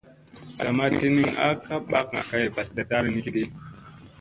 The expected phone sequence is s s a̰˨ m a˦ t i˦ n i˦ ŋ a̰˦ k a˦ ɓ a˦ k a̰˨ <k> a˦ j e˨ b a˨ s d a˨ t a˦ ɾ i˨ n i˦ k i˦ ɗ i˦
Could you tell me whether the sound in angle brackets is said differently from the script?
no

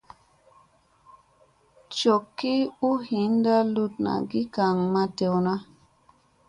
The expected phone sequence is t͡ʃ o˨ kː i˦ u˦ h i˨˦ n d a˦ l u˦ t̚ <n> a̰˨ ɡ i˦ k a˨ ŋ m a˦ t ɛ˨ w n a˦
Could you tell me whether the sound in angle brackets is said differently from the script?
no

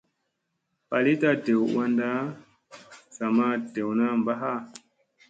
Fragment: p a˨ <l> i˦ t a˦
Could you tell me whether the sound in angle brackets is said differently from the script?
no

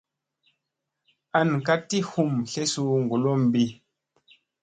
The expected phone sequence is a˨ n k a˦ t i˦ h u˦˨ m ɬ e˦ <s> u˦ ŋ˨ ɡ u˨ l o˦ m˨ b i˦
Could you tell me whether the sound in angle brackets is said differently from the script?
no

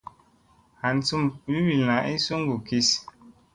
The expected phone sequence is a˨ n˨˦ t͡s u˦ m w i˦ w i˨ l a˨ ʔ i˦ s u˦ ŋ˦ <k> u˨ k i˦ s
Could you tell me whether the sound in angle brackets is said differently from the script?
yes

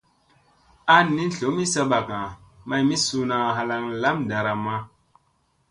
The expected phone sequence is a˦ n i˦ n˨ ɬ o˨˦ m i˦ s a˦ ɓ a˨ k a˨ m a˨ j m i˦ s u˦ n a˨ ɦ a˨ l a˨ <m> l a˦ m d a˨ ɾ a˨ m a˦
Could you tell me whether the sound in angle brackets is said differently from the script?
yes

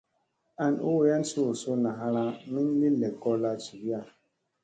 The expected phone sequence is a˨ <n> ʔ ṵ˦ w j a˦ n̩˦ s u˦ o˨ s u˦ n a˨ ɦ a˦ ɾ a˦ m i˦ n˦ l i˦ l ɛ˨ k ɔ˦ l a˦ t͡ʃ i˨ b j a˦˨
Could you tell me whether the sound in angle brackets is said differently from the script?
no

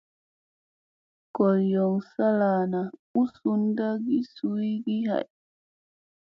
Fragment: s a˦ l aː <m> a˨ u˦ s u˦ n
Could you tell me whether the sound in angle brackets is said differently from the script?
yes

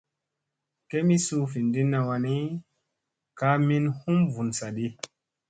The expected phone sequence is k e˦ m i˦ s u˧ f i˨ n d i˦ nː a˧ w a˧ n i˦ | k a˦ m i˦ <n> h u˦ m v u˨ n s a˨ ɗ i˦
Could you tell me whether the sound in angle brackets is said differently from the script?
no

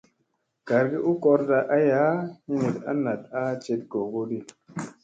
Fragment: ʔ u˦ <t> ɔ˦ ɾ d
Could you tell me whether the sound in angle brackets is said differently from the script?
yes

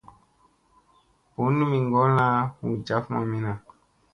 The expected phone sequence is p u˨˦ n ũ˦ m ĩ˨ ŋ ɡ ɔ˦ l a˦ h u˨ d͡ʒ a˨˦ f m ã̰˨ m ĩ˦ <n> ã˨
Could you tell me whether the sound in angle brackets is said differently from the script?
no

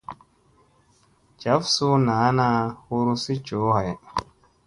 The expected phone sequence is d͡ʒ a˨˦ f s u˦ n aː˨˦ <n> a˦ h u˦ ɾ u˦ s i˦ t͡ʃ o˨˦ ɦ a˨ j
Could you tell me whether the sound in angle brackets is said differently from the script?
no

